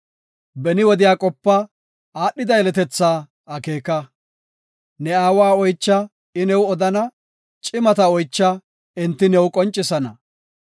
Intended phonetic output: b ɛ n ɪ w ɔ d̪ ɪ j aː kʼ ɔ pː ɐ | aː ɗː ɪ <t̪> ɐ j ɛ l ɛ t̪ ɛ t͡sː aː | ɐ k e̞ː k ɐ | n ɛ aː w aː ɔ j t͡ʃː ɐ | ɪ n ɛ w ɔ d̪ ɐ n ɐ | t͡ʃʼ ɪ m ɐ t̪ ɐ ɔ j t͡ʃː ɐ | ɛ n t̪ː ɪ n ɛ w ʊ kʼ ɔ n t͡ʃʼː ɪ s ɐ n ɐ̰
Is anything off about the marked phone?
yes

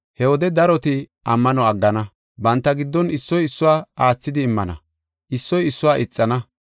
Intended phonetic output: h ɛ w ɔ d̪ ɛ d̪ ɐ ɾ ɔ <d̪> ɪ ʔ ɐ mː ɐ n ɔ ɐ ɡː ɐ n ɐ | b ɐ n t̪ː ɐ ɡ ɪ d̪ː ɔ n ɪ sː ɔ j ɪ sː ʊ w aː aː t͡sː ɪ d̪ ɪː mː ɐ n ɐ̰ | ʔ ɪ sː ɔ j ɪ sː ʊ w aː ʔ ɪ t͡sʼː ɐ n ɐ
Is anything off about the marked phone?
yes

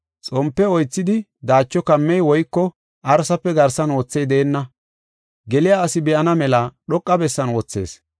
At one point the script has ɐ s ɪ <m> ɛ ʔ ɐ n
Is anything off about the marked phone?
yes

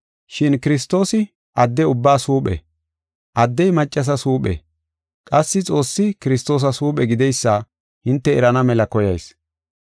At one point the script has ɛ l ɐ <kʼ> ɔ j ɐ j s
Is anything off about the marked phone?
yes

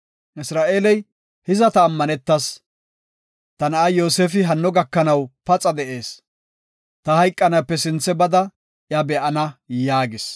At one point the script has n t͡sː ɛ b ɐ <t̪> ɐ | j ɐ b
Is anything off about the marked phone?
yes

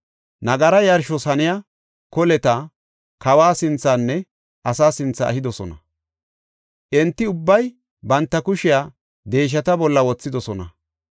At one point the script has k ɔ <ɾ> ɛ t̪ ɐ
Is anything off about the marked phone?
yes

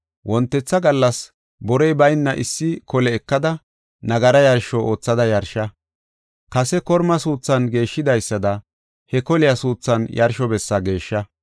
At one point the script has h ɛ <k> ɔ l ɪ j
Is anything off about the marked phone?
no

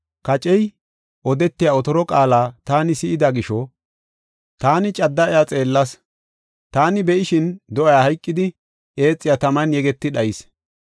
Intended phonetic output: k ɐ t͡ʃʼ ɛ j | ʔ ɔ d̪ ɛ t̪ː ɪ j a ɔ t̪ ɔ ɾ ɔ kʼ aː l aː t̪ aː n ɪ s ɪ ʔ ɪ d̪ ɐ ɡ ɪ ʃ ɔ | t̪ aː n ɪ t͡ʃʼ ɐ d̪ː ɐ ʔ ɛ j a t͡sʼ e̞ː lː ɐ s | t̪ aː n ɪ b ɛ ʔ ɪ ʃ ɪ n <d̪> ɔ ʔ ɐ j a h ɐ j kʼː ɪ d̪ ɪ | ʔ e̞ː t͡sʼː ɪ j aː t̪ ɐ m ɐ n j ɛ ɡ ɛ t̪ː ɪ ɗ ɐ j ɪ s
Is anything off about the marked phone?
no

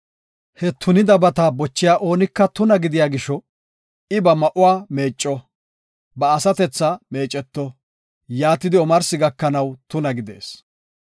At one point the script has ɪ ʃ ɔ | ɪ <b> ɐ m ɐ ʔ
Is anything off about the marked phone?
no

